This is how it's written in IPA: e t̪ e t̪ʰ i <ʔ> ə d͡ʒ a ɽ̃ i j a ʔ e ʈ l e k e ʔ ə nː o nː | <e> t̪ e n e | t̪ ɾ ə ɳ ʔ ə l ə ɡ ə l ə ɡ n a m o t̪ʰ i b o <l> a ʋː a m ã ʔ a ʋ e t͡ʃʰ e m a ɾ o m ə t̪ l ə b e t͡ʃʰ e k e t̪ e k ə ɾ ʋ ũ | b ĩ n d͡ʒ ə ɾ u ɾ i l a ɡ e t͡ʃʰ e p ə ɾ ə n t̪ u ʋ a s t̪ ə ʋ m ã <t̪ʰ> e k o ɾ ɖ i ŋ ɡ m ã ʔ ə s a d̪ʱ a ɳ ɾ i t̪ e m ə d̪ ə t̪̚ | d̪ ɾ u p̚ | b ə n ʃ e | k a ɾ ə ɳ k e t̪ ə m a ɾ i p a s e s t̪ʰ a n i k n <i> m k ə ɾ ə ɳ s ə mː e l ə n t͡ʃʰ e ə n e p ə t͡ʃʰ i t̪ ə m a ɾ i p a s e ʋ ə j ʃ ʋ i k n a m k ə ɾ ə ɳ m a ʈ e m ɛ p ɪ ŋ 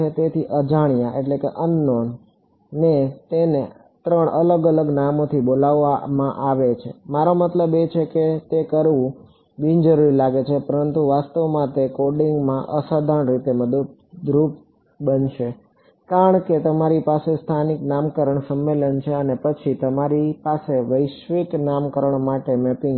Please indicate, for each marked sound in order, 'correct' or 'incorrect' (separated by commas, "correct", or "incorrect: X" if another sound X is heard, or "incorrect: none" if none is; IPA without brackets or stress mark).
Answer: correct, correct, correct, incorrect: t̪, incorrect: a